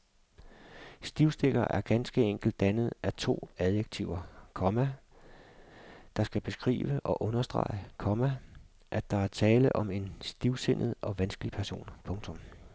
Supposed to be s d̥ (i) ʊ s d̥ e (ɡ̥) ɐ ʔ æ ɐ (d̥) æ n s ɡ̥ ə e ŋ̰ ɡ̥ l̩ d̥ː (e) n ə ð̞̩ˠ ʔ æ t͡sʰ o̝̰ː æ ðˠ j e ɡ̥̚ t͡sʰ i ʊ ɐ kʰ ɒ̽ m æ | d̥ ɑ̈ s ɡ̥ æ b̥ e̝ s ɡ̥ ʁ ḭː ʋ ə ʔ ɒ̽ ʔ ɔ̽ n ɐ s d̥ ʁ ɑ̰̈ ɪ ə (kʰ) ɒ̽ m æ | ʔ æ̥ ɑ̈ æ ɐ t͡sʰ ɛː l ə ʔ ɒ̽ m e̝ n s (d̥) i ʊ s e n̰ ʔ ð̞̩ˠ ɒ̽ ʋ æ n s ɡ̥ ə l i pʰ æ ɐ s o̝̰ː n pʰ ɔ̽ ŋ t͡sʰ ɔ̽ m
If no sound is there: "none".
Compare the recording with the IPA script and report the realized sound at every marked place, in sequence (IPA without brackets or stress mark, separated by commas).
i, ɡ̥, ɡ̥, æ, kʰ, d̥